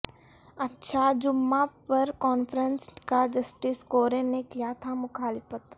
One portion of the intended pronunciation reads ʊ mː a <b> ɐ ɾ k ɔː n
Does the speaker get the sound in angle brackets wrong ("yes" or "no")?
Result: yes